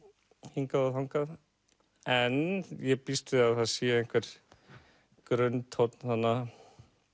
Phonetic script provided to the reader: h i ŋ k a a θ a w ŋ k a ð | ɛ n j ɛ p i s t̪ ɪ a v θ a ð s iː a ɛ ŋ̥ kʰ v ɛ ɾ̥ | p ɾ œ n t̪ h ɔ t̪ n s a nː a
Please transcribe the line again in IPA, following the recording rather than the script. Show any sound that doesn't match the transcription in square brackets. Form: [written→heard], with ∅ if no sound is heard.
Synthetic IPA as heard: h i ŋ k a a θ a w ŋ k a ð | ɛ n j ɛ p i s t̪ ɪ a [v→ð] θ a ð s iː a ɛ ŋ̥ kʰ v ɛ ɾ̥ | [p→k] ɾ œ n t̪ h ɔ t̪ n [s→θ] a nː a